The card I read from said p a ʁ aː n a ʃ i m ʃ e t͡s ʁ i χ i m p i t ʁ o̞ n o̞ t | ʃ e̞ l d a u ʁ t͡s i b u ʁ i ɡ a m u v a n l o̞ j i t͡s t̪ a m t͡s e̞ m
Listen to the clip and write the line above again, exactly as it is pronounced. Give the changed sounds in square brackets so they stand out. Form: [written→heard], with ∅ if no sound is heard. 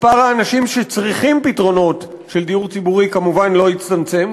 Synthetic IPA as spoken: p a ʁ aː n a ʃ i m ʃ e t͡s ʁ i χ i m p i t ʁ o̞ n o̞ t | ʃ e̞ l d [a→i] u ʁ t͡s i b u ʁ i [ɡ→k] a m u v a n l o̞ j i t͡s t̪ a m t͡s e̞ m

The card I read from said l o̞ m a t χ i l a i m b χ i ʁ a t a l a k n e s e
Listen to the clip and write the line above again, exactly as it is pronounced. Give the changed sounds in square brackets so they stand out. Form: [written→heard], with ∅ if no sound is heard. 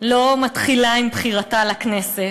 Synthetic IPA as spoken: l o̞ m a t χ i l a i m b χ i ʁ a t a l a k n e s e

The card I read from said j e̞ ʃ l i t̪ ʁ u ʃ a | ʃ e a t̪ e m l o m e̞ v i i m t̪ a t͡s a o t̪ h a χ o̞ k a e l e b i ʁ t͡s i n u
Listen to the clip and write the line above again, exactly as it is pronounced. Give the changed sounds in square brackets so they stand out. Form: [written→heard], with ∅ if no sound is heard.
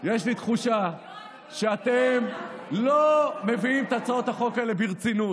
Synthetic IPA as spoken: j e̞ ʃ l i t̪ [ʁ→χ] u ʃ a | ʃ e a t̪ e m l o m e̞ v i i m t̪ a t͡s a o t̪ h a χ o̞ k a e l e b i ʁ t͡s i n u

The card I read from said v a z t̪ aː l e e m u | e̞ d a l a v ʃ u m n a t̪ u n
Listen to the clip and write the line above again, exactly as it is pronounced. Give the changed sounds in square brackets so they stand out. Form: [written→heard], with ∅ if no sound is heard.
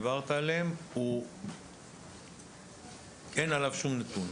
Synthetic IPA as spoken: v a [z→ʁ] t̪ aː l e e m u | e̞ [d→n] a l a v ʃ u m n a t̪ u n

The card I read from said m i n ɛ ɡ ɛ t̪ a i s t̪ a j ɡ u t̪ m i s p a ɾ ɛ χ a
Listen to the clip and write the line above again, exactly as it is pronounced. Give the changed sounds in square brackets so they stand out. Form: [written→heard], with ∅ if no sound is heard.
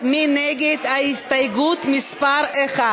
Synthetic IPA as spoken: m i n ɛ ɡ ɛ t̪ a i s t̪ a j ɡ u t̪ m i s p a ɾ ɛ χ a

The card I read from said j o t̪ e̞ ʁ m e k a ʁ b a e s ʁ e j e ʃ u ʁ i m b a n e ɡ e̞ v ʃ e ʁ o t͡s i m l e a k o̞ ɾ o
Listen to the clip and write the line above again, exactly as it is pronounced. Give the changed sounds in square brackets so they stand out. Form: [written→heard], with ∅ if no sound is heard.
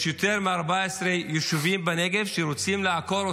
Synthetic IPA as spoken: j o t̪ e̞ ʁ m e [k→∅] a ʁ b a e s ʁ e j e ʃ u [ʁ→v] i m b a n e ɡ e̞ v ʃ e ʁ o t͡s i m l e a k o̞ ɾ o

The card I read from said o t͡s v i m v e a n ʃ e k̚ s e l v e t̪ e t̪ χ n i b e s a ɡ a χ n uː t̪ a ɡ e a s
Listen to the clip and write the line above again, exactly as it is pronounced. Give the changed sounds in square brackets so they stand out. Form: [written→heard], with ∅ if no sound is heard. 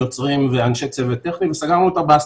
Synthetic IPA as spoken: o t͡s [v→ʁ] i m v e a n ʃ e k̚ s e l v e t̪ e [t̪→∅] χ n i [b→v] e s a ɡ a [χ→ʁ] n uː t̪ a [ɡ→b] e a s

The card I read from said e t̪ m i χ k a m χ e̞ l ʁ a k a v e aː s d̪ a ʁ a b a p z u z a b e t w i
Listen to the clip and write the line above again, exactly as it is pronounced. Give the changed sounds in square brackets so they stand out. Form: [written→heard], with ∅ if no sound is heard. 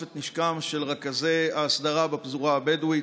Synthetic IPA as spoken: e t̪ [m→n] i [χ→ʃ] k a m [χ→ʃ] e̞ l ʁ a k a [v→z] e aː s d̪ a ʁ a b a p z u [z→ʁ] a b e [t→d] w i

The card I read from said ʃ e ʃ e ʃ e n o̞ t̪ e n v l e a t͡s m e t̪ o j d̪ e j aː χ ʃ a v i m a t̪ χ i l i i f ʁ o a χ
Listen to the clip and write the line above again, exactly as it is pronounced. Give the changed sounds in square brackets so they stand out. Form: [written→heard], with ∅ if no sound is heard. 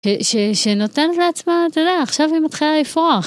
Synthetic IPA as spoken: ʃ e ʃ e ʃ e n o̞ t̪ e n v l e a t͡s m [e→a] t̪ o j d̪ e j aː χ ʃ a v i m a t̪ χ i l [i→a] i f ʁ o a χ

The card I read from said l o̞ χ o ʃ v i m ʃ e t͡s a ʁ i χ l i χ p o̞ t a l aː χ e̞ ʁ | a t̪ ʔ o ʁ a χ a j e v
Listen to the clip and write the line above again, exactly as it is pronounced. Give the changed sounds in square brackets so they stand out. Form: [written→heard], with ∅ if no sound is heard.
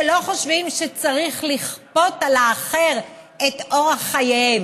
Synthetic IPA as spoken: l o̞ χ o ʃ v i m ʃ e t͡s a ʁ i χ l i χ p o̞ t a l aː χ e̞ ʁ | [a→e] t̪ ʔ o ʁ a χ a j e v

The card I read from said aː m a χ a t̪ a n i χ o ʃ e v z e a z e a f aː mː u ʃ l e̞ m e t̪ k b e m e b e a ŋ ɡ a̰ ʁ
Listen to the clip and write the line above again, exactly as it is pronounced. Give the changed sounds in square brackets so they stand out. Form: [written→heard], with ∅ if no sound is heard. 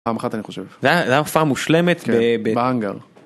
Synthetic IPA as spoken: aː m a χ a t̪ a n i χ o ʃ e v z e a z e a f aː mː u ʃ l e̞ m e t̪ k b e [m→b] e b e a ŋ ɡ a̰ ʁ

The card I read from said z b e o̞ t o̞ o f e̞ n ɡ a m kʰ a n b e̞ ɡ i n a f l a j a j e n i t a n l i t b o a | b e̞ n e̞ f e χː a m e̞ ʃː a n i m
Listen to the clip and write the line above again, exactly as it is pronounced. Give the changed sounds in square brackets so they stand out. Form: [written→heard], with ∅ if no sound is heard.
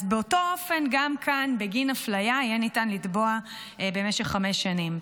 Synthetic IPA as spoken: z b e o̞ t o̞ o f e̞ n ɡ a m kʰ a n b e̞ ɡ i n a f l a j a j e n i t a n l i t b o a | b e̞ [n→m] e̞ [f→ʃ] e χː a m e̞ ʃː a n i m

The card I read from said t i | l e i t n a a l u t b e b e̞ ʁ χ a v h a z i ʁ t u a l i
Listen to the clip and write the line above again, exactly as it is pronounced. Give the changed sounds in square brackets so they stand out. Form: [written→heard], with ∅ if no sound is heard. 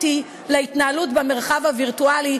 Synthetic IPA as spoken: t i | l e i t n a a l u t b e [b→m] e̞ ʁ χ a v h a [z→v] i ʁ t u a l i

